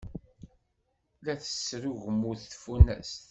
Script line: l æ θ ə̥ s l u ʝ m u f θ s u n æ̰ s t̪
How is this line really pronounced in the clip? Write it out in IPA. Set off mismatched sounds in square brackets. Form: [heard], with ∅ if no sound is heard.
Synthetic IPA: l æ θ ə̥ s [ɾ] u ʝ m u [θ] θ [f] u n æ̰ s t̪